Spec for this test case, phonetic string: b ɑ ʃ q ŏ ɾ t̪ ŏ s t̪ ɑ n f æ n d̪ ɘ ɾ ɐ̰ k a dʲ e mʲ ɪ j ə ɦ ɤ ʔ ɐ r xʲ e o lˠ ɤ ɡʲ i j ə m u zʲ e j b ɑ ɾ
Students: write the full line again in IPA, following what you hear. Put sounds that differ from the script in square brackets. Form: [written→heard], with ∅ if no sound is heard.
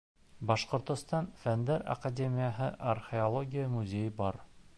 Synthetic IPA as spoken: b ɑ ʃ q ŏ ɾ t̪ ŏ s t̪ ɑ n f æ n d̪ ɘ ɾ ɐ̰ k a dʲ e mʲ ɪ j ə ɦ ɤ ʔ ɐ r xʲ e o lˠ [ɤ→o] ɡʲ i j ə m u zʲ e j b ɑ ɾ